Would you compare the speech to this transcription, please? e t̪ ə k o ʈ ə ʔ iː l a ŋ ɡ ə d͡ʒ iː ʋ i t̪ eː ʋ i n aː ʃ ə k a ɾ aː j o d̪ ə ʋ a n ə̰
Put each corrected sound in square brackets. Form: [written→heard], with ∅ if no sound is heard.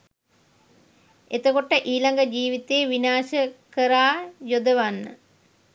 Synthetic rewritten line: e t̪ ə k o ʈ ə ʔ iː l a ŋ ɡ ə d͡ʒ iː ʋ i t̪ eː ʋ i n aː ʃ ə k [a→ə] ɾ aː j o d̪ ə ʋ a [n→nː] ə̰